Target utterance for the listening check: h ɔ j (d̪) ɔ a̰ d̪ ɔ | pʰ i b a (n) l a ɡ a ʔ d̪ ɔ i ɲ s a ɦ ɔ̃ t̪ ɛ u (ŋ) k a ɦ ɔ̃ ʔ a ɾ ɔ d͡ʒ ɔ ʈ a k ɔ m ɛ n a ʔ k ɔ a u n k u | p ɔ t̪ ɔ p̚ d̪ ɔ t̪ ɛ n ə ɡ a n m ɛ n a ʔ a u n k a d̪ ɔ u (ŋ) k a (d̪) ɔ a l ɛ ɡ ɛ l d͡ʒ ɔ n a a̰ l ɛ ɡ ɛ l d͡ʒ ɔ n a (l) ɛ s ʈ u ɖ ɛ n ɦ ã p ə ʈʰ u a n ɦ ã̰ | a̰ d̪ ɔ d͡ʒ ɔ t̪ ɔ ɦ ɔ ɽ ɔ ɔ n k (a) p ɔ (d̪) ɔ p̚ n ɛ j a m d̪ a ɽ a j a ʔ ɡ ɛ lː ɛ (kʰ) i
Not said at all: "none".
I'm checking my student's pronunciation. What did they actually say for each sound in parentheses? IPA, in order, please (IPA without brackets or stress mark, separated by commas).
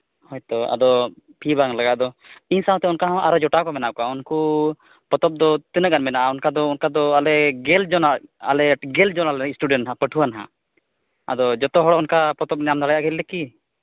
t̪, ŋ, n, n, d̪, l, a, t̪, k